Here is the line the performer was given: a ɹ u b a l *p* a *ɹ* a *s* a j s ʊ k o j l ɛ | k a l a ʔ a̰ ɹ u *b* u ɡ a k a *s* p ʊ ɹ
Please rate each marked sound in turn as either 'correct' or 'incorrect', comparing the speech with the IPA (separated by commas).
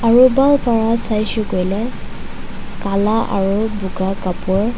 correct, correct, correct, correct, incorrect